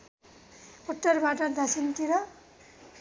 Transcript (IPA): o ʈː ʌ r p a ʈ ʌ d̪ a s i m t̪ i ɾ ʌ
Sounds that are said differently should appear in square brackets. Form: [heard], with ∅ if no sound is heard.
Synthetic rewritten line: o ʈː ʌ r [b] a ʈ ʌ d̪ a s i [n] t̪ i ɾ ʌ

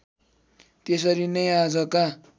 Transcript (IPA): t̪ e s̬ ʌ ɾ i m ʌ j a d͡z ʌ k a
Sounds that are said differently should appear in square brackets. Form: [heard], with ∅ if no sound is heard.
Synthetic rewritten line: t̪ e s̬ ʌ ɾ i [n] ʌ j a d͡z ʌ k a

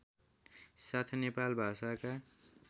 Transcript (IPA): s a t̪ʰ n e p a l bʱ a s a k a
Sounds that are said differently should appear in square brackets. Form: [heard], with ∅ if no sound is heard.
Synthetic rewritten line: s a t̪ʰ n e p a l bʱ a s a k a

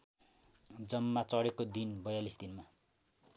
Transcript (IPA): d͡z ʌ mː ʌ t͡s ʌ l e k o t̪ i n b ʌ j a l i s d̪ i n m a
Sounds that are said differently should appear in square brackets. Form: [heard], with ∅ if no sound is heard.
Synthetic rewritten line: d͡z ʌ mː [a] t͡s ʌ [ɽ] e k o [d̪] i n b ʌ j a l i s d̪ i n m a

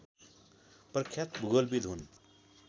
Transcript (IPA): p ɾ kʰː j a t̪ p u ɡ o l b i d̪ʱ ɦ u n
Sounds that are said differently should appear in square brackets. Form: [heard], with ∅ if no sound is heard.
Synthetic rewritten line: p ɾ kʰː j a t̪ [b] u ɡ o l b i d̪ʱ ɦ u n

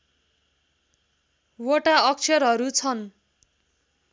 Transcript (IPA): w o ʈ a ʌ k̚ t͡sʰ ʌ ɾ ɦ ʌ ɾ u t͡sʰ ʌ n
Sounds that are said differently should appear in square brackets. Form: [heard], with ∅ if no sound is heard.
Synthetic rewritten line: w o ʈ a ʌ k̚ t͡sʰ ʌ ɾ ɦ ʌ ɾ u t͡sʰ ʌ n

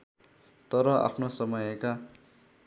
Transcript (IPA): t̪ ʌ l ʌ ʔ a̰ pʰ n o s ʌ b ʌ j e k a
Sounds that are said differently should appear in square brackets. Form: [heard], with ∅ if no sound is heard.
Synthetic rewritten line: t̪ ʌ [ɾ] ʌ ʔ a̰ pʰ n o s ʌ [m] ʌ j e k a

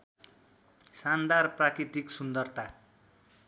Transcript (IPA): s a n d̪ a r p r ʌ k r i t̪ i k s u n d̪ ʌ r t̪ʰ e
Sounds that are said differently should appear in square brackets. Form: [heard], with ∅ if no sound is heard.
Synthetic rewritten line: s a n d̪ a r p r [a] k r i t̪ i k s u n d̪ ʌ r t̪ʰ [a]

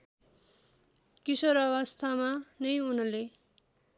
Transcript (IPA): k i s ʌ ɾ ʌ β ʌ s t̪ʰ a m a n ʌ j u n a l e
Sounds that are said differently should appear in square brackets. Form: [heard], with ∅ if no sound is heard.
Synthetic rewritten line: k i s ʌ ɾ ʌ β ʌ s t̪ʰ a m a n ʌ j u n [ʌ] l e

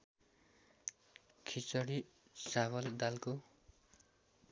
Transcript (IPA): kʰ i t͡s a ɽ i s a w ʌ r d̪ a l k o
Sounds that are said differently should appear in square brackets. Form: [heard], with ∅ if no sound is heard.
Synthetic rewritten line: kʰ i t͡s [ʌ] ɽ i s a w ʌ [l] d̪ a l k o

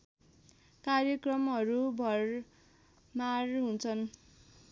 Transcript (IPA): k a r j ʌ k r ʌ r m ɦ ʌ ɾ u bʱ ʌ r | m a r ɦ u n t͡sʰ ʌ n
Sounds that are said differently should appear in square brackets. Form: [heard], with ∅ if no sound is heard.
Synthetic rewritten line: k a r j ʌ k r ʌ [∅] m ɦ ʌ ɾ u bʱ ʌ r | m a r ɦ u n t͡sʰ ʌ n

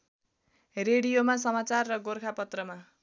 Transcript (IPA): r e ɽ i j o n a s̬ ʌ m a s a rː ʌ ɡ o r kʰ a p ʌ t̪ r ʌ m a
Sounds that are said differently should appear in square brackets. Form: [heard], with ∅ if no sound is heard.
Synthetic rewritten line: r e ɽ i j o [m] a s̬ ʌ m a [t͡s] a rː ʌ ɡ o r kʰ a p ʌ t̪ r ʌ m a

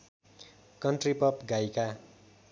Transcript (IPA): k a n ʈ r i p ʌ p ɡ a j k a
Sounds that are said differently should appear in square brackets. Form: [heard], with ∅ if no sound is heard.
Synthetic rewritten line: k [ʌ] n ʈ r i p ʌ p ɡ a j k a

